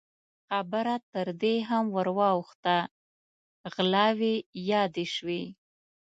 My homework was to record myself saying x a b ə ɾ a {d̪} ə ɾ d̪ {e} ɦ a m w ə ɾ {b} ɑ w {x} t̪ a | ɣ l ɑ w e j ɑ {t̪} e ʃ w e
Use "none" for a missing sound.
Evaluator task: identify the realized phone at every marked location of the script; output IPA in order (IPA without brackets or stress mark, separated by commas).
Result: t̪, e, w, x, d̪